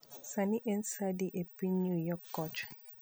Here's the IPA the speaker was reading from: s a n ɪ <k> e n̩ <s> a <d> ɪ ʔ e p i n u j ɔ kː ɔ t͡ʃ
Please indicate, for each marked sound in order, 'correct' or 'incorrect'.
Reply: incorrect, correct, correct

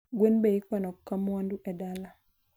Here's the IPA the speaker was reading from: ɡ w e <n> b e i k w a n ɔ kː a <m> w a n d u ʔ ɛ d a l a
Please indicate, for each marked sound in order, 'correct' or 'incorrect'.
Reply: correct, correct

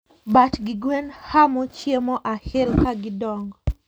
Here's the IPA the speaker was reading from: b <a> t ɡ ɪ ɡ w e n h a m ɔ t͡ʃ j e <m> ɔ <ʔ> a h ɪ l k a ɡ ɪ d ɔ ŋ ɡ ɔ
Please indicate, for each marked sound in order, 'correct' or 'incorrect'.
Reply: correct, correct, correct

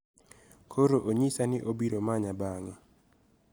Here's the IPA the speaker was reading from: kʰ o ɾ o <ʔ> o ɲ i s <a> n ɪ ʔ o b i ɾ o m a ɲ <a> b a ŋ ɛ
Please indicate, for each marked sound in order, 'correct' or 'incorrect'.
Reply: correct, correct, correct

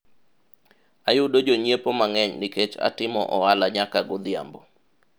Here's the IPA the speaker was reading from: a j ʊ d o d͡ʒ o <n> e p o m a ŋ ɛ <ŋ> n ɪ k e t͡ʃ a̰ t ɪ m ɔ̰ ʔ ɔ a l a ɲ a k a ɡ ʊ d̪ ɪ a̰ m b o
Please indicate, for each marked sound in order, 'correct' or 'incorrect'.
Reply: incorrect, incorrect

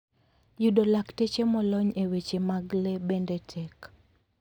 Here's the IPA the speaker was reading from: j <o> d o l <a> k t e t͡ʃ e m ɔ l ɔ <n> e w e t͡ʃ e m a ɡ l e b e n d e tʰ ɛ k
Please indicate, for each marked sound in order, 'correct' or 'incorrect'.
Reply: incorrect, correct, incorrect

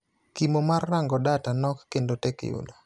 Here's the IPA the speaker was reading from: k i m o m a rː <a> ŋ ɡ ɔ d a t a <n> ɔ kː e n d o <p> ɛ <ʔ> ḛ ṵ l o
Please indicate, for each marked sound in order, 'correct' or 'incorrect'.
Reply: correct, correct, incorrect, incorrect

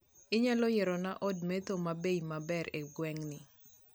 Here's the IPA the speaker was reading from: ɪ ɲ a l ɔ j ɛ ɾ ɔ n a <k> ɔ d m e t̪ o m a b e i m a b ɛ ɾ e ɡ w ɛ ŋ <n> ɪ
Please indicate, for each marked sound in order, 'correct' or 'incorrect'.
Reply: incorrect, correct

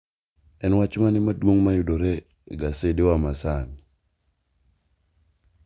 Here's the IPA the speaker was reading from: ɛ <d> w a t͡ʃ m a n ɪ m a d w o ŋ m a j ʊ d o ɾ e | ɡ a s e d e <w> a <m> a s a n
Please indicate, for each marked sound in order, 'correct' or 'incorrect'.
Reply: incorrect, correct, correct

